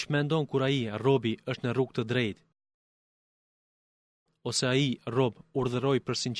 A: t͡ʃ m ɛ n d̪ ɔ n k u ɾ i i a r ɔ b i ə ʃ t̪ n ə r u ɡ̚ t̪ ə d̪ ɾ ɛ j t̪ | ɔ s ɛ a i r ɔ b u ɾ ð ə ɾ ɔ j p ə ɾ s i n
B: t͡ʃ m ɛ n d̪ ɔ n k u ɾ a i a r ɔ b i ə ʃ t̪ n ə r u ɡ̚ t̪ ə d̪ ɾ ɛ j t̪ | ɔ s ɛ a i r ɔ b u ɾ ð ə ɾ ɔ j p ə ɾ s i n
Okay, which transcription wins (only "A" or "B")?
B